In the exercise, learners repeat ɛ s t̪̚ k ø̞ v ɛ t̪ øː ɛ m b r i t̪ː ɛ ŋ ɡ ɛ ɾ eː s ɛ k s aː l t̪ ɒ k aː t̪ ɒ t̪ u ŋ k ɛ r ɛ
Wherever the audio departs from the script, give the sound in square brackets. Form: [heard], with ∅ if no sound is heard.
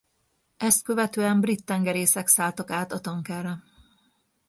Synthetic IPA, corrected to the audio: ɛ s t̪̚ k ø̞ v ɛ t̪ øː ɛ m b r i t̪ː ɛ ŋ ɡ ɛ ɾ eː s ɛ k s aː l t̪ ɒ k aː t̪ ɒ t̪ [ɒ] ŋ k ɛ r ɛ

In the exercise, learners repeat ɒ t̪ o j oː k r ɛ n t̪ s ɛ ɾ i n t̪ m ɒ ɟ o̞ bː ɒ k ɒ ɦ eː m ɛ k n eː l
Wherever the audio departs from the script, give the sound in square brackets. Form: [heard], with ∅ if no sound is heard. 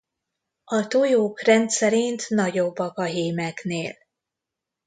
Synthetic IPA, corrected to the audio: ɒ t̪ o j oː k r ɛ n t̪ s ɛ ɾ i n t̪ [n] ɒ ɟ o̞ bː ɒ k ɒ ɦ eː m ɛ k n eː l

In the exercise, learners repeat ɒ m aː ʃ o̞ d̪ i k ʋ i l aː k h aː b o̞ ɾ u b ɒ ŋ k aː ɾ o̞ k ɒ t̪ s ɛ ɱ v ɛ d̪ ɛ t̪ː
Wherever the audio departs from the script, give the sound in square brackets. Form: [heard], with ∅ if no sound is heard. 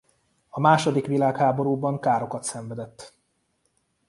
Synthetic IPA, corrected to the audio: ɒ m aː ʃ o̞ d̪ i k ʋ i l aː k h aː b o̞ ɾ [uː] b ɒ ŋ k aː ɾ o̞ k ɒ t̪ s ɛ ɱ v ɛ d̪ ɛ t̪ː

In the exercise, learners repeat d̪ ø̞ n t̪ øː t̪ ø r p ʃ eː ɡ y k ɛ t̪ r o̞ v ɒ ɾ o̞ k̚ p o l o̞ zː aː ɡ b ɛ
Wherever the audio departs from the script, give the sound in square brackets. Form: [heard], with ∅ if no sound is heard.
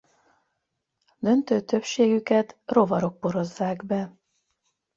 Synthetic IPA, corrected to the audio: d̪ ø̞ n t̪ øː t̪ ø [∅] p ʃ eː ɡ y k ɛ t̪ r o̞ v ɒ ɾ o̞ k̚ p o [ɾ] o̞ zː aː ɡ b ɛ

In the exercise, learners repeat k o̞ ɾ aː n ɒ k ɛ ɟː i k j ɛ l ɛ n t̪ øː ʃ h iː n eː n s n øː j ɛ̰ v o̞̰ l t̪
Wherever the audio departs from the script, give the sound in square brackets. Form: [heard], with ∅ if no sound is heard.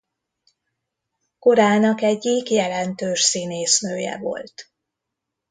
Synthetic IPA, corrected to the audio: k o̞ ɾ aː n ɒ k ɛ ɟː i k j ɛ l ɛ n t̪ øː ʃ [s] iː n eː [∅] s n øː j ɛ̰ v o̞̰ l t̪

